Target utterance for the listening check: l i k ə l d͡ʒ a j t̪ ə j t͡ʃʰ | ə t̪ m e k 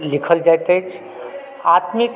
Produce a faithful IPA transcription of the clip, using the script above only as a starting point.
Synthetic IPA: l i kʰ ə l d͡ʒ a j t̪ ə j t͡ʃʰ | a t̪ m i k